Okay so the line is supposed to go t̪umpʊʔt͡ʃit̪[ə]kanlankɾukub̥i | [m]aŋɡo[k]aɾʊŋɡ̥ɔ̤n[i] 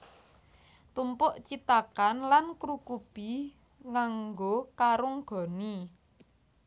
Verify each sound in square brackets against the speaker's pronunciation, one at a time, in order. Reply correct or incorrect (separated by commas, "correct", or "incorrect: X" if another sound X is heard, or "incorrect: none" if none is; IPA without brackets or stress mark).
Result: incorrect: a, incorrect: ŋ, correct, correct